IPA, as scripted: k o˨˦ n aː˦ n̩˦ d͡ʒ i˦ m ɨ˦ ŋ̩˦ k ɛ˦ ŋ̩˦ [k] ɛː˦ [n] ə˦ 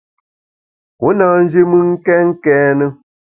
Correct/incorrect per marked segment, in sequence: correct, correct

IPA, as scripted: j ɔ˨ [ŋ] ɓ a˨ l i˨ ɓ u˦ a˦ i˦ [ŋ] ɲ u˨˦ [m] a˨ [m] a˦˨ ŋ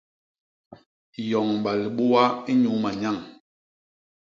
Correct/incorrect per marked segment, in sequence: correct, incorrect: none, correct, incorrect: ɲ

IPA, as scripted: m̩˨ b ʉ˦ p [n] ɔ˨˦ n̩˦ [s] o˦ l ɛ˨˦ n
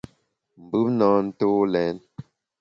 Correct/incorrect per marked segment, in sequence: correct, incorrect: t

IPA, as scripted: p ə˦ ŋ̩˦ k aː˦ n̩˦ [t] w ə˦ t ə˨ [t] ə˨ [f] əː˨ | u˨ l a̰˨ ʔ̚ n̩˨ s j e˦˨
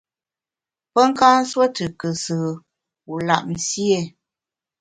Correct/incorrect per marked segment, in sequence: incorrect: s, incorrect: k, incorrect: s

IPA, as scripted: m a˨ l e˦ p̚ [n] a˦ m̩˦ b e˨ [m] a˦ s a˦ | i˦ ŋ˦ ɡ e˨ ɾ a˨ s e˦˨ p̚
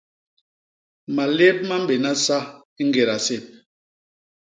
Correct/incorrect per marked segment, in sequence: incorrect: m, incorrect: n

